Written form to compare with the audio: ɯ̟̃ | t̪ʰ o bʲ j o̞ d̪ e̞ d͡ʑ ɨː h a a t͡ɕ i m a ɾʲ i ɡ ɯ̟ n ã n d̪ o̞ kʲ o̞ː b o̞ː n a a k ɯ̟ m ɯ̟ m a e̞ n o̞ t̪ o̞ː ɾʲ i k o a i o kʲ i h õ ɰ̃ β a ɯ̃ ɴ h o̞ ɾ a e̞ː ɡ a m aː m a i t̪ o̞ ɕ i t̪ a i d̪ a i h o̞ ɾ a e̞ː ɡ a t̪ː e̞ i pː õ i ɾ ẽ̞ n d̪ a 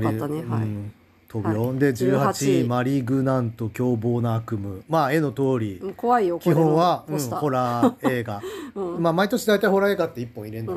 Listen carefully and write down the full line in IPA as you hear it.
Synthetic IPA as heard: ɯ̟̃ | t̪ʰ o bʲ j o̞ d̪ e̞ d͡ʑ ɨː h a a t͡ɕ i m a ɾʲ i ɡ ɯ̟ n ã n t̪ o̞ kʲ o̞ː b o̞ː n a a k ɯ̟ m ɯ̟ m a e̞ n o̞ t̪ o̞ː ɾʲ i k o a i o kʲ i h õ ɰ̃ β a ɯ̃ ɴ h o̞ ɾ a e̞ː ɡ a m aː m a i t̪ o̞ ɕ i d̪ a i t̪ a i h o̞ ɾ a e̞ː ɡ a t̪ː e̞ i pː õ i ɾ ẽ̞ n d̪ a